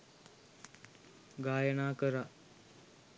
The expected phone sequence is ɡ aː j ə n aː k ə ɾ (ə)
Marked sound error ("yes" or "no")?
yes